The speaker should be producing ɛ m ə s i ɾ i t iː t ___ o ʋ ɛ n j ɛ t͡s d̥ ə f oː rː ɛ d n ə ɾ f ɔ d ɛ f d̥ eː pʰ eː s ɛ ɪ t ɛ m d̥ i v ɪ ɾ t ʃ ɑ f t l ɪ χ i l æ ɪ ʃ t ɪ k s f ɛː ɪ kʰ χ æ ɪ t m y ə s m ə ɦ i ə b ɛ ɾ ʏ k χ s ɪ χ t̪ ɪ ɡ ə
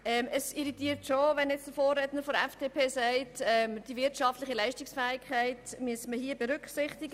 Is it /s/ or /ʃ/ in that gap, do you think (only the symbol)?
ʃ